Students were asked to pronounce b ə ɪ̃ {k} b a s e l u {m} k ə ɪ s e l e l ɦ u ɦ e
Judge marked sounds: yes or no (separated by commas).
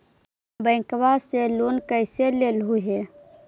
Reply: yes, no